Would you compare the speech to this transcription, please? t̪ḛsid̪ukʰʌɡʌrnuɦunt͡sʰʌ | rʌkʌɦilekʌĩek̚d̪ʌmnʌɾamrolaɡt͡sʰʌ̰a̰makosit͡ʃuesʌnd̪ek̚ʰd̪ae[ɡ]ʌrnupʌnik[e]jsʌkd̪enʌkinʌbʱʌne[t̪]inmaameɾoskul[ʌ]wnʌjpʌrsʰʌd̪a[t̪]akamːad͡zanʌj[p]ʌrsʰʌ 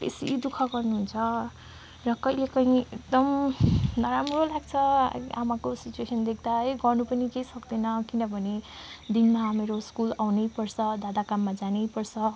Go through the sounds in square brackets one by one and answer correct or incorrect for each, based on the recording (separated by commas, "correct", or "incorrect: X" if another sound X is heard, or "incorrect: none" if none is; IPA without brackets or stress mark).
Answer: correct, correct, incorrect: d̪, incorrect: a, incorrect: d̪, correct